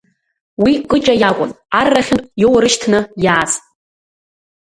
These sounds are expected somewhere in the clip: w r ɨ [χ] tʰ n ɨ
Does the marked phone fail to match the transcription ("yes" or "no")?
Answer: yes